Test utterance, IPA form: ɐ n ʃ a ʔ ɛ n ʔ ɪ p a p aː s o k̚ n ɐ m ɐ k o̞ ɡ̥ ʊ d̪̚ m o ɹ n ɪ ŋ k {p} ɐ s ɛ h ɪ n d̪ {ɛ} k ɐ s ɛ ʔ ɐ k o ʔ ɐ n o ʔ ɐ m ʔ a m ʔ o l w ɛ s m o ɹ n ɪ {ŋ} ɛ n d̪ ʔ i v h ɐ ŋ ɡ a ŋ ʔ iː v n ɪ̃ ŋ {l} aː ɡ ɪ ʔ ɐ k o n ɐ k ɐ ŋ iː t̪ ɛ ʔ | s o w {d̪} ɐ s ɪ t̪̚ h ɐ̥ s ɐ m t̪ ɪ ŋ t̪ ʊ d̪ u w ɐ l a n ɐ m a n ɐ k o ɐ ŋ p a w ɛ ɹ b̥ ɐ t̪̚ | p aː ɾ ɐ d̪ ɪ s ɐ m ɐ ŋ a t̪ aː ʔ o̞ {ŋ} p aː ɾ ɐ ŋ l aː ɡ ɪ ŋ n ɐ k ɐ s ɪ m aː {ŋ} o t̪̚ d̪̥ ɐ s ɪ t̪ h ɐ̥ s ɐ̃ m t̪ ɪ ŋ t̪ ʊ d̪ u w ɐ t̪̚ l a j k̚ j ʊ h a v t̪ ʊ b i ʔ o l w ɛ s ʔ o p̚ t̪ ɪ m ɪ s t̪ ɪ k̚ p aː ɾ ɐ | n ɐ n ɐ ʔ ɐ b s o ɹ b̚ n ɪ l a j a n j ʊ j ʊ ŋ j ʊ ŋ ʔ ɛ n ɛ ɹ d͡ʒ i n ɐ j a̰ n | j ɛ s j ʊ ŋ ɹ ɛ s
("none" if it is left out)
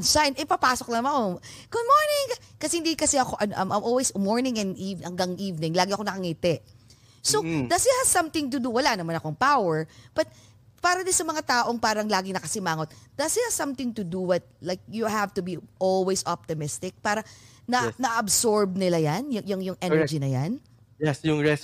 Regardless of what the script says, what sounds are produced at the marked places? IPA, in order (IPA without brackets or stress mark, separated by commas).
k, i, ŋ, l, d̪, ŋ, ŋ